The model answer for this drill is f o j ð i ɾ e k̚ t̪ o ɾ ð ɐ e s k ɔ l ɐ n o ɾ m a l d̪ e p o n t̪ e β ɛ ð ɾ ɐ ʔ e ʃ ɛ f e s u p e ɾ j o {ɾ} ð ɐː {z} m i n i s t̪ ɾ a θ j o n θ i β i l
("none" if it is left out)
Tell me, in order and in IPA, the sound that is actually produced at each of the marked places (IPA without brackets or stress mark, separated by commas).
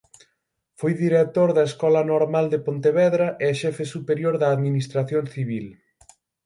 ɾ, ð